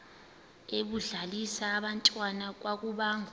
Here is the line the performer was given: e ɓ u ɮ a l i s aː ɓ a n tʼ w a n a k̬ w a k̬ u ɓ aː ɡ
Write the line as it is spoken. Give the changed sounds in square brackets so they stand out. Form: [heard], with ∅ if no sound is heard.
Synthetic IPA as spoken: e ɓ u ɮ a l i s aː ɓ a n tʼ w a n a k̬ w a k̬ u ɓ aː [ŋ]